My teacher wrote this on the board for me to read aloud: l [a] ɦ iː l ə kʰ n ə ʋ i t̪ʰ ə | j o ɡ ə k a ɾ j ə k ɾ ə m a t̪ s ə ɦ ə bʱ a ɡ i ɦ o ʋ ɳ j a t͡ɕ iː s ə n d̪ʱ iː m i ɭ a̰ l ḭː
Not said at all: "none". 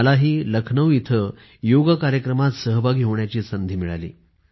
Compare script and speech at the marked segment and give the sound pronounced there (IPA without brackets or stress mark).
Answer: a